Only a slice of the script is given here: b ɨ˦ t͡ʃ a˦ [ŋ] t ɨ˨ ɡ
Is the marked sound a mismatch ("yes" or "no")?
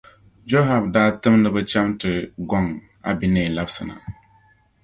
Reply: yes